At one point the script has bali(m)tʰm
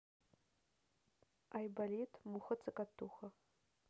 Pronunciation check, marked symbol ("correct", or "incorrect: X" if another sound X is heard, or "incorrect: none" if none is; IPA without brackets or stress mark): incorrect: none